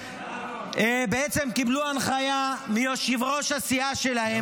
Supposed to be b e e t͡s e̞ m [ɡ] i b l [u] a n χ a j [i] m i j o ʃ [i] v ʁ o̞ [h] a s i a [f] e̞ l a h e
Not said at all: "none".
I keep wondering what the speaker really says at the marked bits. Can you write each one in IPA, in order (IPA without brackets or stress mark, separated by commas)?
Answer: k, u, a, i, ʃ, ʃ